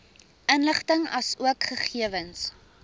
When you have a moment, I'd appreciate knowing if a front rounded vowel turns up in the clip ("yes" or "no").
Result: no